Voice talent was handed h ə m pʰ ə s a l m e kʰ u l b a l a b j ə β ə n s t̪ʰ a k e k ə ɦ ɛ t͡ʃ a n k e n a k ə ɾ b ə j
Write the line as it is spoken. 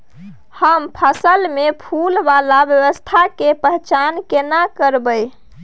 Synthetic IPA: h ə m pʰ ə s ə l m e pʰ u l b a l a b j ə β ə s t̪ʰ a k e p ə ɦ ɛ t͡ʃ a n k e n a k ə ɾ b ə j